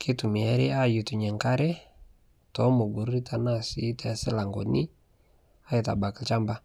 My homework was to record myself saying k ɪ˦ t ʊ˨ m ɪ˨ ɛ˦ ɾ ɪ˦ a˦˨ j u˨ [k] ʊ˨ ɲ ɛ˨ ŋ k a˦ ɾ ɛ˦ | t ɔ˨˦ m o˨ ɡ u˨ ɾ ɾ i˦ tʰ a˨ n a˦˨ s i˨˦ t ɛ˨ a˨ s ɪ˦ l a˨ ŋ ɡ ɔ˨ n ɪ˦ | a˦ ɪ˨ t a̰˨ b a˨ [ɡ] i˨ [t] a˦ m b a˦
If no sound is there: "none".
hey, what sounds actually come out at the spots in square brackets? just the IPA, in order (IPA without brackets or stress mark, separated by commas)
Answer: t, k, t͡ʃ